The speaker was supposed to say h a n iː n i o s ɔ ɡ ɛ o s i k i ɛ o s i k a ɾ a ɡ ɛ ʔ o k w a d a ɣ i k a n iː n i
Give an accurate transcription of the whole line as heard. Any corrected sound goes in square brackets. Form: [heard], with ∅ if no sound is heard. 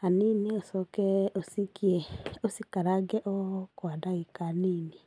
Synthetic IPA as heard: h a n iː n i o s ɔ [k] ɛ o s i k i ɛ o s i k a ɾ a ɡ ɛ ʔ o k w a d a ɣ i k a n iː n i